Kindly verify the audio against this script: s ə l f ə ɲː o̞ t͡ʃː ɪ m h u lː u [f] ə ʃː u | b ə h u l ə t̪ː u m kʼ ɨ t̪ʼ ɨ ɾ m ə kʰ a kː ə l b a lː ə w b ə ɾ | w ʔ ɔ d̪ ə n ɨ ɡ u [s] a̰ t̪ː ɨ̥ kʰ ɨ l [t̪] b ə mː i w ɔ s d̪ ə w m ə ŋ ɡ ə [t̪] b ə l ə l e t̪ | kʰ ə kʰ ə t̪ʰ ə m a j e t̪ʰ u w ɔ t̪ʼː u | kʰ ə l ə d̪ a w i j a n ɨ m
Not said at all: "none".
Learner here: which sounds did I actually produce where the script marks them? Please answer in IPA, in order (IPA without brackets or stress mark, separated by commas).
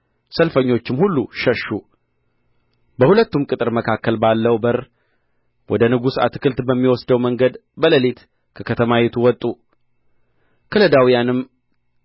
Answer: ʃ, s, t̪, d̪